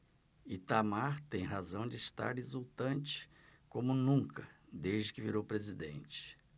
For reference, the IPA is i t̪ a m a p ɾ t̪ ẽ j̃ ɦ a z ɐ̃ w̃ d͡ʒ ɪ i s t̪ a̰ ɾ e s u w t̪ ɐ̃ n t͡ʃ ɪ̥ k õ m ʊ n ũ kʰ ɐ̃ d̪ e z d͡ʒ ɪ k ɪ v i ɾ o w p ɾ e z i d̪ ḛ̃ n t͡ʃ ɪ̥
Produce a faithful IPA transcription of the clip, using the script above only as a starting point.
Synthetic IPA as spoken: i t̪ a m a ɾ t̪ ẽ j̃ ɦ a z ɐ̃ w̃ d͡ʒ ɪ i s t̪ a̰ ɾ e z u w t̪ ɐ̃ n t͡ʃ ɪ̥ k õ m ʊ n ũ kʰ ɐ d̪ e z d͡ʒ ɪ k ɪ v i ɾ o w p ɾ e z i d̪ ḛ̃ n t͡ʃ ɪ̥